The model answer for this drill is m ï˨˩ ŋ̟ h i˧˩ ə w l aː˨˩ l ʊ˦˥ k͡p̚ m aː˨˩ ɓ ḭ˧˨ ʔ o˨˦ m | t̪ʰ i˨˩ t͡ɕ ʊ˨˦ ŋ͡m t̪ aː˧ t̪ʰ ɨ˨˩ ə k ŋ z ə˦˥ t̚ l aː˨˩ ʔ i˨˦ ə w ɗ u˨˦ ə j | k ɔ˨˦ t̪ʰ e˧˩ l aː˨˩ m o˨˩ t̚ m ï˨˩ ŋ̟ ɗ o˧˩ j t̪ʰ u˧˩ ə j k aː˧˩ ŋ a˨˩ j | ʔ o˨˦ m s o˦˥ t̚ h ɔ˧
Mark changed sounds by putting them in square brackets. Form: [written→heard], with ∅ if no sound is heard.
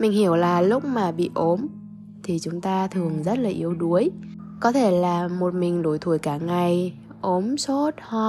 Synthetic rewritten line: m ï˨˩ ŋ̟ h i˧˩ ə w l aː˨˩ l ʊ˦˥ k͡p̚ m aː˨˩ ɓ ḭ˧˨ ʔ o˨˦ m | t̪ʰ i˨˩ t͡ɕ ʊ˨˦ ŋ͡m t̪ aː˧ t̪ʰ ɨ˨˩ ə [k→∅] ŋ z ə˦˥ t̚ l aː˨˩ ʔ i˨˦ ə w ɗ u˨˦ ə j | k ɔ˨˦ t̪ʰ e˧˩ l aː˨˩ m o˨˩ t̚ m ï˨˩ ŋ̟ ɗ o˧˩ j t̪ʰ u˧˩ ə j k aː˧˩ ŋ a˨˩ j | ʔ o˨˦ m s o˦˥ t̚ h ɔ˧